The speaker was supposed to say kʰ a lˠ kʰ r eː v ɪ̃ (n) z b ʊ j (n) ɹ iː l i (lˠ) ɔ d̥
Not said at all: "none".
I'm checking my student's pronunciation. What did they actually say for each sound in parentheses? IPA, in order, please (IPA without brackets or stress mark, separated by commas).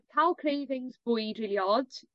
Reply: ŋ, d, none